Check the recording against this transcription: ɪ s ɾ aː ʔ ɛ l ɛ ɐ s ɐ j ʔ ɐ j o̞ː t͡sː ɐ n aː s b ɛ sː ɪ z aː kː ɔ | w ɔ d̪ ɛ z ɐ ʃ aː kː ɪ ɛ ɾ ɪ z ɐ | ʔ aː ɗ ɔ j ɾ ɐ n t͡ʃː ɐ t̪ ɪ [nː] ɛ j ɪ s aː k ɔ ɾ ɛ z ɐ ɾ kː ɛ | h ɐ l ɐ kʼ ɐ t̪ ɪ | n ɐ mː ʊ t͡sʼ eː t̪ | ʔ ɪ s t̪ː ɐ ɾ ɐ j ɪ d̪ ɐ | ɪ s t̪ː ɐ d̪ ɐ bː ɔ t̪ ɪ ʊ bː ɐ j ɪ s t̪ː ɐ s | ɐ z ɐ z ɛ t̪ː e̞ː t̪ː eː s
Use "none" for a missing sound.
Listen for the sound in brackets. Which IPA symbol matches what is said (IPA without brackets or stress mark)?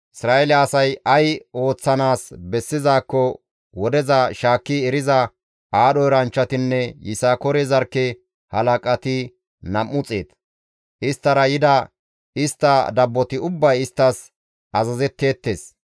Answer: nː